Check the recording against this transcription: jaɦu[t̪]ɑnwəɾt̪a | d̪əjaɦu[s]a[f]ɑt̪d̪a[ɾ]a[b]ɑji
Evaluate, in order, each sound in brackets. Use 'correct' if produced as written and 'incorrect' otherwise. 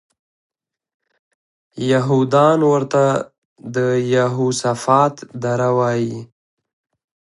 incorrect: d̪, correct, correct, correct, incorrect: w

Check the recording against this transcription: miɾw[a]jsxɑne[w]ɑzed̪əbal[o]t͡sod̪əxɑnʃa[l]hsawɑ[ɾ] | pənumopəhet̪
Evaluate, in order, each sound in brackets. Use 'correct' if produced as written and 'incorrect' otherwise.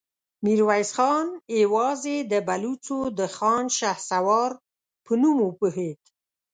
correct, correct, incorrect: u, incorrect: none, correct

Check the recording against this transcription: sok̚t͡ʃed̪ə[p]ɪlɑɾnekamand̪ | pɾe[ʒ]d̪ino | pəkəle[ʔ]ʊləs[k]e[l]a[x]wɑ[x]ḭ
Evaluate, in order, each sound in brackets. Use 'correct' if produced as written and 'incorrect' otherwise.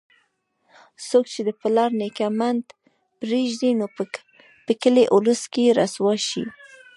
correct, correct, correct, correct, incorrect: ɾ, incorrect: s, incorrect: ʃ

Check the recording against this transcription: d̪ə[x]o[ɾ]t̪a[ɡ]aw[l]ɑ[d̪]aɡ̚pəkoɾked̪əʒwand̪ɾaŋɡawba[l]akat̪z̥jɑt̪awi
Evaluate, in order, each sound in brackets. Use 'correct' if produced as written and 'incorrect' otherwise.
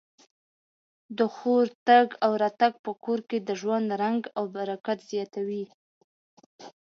correct, correct, correct, incorrect: ɾ, incorrect: t̪, incorrect: ɾ

